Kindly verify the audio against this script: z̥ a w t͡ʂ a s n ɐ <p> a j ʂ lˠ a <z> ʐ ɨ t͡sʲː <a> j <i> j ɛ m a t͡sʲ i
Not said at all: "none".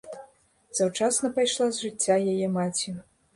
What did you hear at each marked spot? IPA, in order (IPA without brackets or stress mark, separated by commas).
p, z, a, a